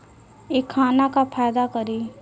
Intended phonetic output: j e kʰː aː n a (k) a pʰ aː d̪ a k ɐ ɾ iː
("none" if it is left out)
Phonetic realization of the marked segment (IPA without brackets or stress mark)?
k